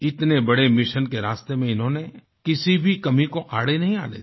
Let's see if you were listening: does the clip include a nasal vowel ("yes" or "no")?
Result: yes